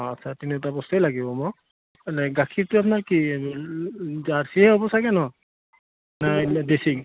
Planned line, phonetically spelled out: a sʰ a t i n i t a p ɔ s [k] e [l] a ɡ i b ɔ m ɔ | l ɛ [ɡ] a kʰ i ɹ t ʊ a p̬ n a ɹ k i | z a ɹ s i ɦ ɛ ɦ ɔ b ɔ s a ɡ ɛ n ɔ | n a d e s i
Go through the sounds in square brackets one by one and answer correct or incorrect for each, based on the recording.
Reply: incorrect, correct, correct

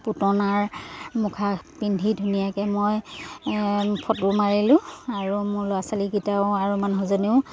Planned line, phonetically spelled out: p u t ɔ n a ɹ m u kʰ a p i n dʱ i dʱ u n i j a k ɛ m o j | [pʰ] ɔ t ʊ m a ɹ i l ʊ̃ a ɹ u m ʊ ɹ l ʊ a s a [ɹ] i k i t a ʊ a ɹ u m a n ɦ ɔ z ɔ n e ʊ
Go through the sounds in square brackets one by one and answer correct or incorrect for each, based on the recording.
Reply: correct, incorrect

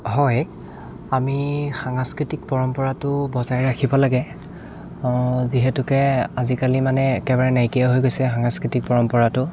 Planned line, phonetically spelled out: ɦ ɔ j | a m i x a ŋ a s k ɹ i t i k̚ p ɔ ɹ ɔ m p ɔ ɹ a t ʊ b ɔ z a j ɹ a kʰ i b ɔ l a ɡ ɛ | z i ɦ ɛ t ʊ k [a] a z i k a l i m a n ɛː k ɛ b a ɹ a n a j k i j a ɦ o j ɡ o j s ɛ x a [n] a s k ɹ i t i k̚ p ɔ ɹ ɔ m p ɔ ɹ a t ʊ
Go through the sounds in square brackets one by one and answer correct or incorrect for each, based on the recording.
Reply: incorrect, incorrect

